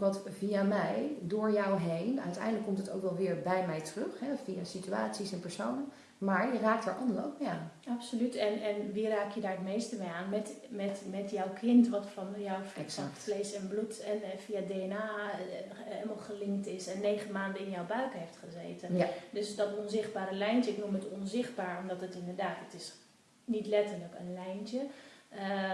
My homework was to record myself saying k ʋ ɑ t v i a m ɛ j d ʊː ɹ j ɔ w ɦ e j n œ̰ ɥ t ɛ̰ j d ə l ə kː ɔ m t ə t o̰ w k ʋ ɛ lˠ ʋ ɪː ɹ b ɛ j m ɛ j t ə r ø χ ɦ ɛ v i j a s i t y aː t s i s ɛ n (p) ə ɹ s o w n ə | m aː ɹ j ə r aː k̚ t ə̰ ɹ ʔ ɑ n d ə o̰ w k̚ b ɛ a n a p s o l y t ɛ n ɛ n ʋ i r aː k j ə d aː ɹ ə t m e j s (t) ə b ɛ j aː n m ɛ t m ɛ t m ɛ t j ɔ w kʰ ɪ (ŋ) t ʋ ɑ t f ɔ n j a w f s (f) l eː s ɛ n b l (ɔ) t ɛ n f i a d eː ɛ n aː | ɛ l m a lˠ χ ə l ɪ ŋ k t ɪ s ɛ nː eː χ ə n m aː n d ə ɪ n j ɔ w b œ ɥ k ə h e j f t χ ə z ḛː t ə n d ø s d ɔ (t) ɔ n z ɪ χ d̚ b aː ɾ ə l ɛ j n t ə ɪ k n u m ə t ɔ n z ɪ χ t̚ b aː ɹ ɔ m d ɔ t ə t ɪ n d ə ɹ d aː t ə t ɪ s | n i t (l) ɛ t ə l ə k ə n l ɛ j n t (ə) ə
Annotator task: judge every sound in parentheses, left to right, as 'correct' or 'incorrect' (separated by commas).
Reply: correct, correct, incorrect, correct, incorrect, correct, correct, correct